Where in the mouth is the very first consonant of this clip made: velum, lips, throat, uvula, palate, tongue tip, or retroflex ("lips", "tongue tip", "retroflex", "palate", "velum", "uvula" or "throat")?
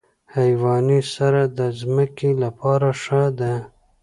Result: throat